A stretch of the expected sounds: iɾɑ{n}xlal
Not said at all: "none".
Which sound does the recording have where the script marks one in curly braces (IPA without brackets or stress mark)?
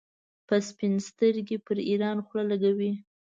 n